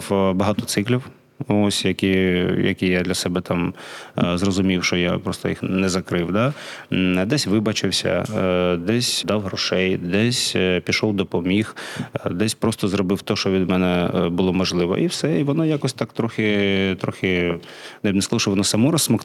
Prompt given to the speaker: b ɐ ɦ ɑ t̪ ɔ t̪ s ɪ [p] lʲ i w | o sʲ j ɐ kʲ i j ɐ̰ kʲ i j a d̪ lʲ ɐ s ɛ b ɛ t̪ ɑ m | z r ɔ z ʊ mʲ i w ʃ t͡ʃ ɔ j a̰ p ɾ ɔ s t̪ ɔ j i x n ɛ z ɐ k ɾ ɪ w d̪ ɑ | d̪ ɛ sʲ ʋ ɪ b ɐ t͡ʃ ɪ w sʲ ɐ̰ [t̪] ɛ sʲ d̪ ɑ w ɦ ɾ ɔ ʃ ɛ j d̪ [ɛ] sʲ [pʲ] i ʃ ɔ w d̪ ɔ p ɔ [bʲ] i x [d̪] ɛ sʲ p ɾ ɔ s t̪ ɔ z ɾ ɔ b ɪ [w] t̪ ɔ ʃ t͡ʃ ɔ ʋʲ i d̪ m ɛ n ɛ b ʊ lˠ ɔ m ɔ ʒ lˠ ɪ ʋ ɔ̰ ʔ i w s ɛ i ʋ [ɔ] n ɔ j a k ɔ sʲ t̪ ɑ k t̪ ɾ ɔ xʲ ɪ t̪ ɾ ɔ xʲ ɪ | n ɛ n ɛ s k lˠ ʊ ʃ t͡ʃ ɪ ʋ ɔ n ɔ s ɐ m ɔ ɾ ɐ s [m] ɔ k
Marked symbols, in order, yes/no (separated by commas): no, no, yes, yes, no, yes, yes, yes, yes